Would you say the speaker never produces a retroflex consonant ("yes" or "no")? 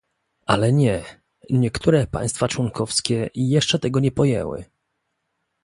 no